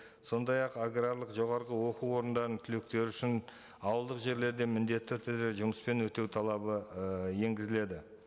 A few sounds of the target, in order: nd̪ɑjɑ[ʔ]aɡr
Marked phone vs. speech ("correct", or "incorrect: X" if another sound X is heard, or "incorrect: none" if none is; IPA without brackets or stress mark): incorrect: q